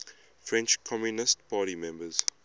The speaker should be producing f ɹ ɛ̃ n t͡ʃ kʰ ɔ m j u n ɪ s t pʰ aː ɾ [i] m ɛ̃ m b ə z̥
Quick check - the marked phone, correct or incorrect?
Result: correct